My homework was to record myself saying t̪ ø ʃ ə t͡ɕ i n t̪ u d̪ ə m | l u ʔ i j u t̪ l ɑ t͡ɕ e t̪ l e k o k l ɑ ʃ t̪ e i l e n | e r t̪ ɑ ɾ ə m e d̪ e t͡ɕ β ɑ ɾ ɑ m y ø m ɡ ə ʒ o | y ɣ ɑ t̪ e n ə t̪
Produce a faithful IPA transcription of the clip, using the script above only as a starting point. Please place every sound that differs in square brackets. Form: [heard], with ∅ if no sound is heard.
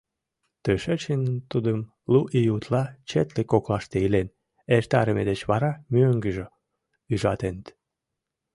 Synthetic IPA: t̪ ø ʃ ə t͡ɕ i n t̪ u d̪ ə m | l u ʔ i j u t̪ l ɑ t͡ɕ e t̪ l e k o k l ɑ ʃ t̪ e i l e n | e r t̪ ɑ ɾ ə m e d̪ e t͡ɕ β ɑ ɾ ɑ m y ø [ŋ] ɡ ə ʒ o | y [ʒ] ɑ t̪ e n ə t̪